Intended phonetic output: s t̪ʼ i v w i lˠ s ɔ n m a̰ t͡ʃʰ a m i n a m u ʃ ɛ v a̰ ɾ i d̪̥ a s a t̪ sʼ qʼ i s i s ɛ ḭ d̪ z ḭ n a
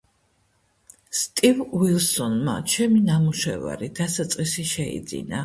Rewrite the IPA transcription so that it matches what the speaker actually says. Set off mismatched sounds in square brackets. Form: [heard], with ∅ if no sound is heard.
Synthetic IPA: s t̪ʼ i v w i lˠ s ɔ n m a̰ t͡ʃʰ [ɛ] m i n a m u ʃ ɛ v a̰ ɾ i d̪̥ a s a t̪ sʼ qʼ i s i [ʃ] ɛ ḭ d̪ z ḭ n a